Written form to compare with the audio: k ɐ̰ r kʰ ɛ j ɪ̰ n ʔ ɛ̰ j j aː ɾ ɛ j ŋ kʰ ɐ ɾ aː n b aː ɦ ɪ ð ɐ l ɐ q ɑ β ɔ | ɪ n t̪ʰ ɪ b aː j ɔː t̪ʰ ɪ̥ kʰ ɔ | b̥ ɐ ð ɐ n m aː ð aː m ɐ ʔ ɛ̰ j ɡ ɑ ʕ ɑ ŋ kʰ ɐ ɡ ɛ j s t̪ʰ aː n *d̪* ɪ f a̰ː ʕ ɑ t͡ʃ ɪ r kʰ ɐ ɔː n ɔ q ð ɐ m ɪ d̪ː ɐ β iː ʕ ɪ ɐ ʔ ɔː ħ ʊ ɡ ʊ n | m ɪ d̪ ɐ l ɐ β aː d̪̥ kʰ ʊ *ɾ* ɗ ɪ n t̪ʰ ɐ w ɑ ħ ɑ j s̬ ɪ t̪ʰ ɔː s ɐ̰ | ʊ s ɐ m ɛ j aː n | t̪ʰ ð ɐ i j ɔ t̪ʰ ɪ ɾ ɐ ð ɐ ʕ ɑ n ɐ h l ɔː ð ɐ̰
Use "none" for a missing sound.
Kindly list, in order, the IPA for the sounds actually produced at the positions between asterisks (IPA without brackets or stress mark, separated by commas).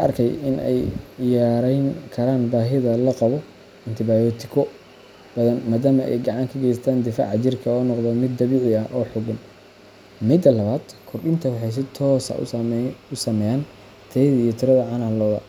d̪, r